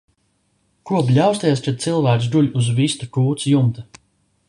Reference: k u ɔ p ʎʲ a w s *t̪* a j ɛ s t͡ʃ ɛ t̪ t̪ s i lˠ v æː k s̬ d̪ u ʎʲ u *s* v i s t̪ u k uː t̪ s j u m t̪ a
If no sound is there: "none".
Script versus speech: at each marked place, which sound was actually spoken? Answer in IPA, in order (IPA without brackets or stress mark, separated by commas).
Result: t̪, z